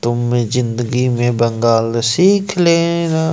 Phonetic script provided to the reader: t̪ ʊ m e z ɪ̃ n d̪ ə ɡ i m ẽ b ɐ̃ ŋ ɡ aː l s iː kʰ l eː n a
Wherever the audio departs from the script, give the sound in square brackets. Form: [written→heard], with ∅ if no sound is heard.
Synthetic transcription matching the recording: t̪ ʊ m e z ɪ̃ n d̪ ə ɡ i m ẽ b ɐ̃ ŋ ɡ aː l s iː kʰ l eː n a